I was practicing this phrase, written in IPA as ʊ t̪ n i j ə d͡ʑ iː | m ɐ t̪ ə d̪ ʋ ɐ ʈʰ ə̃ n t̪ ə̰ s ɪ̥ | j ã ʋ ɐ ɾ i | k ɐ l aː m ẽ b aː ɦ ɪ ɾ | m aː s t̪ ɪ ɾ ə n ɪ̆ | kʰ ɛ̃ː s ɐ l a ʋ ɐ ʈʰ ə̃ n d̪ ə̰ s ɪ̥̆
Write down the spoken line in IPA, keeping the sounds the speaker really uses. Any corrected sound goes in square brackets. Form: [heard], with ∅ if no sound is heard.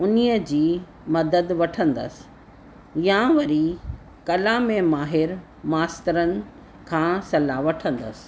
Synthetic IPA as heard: ʊ [∅] n i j ə d͡ʑ iː | m ɐ [d̪] ə d̪ ʋ ɐ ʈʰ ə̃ n [d̪] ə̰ s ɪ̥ | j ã ʋ ɐ ɾ i | k ɐ l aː m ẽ [m] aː ɦ ɪ ɾ | m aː s t̪ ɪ ɾ ə n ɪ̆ | kʰ [ãː] s ɐ l a ʋ ɐ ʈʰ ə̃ n d̪ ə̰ s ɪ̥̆